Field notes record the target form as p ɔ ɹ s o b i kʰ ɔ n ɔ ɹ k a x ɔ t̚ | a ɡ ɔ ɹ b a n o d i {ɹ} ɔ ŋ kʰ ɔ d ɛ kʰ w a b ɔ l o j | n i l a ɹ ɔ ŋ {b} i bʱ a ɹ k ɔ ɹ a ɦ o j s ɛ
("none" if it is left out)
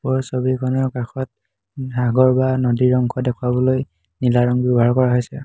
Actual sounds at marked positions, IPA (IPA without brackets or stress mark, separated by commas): ɹ, b